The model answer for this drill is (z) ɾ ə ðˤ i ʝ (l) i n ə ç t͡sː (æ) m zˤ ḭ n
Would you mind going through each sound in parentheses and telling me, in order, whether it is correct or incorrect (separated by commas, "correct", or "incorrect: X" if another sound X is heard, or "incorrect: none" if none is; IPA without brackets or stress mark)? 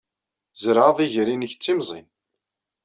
correct, incorrect: ɾ, incorrect: i